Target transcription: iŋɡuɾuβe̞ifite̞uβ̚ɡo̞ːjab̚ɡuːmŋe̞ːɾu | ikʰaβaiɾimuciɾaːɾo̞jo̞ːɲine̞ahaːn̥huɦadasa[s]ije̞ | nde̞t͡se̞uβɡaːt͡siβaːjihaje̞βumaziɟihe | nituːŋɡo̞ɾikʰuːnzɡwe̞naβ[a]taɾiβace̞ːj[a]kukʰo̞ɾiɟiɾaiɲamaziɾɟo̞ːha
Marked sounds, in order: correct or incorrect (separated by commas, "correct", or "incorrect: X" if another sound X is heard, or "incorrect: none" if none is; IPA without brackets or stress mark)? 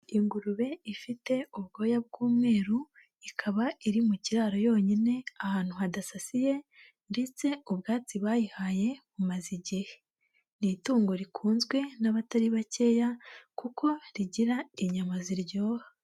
correct, correct, correct